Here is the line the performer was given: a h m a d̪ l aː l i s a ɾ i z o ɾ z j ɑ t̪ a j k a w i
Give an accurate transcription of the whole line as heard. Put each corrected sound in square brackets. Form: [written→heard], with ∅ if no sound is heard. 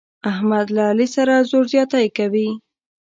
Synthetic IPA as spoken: a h m a d̪ l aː l i s a ɾ [i→a] z o ɾ z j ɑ t̪ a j k a w i

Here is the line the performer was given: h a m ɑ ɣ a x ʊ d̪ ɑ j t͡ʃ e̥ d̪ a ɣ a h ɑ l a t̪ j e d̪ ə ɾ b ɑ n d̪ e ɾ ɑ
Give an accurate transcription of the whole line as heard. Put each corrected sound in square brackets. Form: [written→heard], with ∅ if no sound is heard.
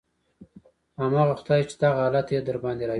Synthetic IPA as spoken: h a m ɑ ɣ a x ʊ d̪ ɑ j t͡ʃ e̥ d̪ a ɣ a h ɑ l a t̪ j e d̪ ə ɾ b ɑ n d̪ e ɾ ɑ

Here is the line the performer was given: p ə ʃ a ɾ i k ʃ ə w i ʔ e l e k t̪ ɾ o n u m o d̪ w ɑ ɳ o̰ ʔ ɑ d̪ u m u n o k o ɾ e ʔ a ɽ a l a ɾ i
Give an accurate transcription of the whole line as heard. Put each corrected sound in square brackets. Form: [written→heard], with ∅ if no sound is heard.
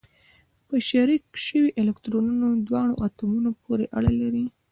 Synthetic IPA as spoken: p ə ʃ a ɾ i k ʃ ə w i ʔ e l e k t̪ ɾ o n u [m→n] o d̪ w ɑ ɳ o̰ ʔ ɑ [d̪→t̪] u m u n o [k→p] o ɾ e ʔ a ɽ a l a ɾ i

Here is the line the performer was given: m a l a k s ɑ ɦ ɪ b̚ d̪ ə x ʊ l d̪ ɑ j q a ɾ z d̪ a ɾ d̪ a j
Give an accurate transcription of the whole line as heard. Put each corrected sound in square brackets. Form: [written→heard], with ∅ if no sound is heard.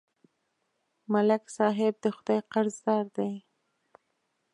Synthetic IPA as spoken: m a l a k s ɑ ɦ ɪ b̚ d̪ ə x ʊ [l→∅] d̪ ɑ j q a ɾ z d̪ [a→ɑ] ɾ d̪ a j

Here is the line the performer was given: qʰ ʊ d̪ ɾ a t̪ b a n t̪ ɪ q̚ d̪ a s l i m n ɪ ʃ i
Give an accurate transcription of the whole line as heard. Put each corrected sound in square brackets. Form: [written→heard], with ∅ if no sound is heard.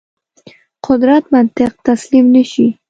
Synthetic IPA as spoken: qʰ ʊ d̪ ɾ a t̪ [b→m] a n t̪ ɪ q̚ [d̪→t̪] a s l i m n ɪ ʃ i

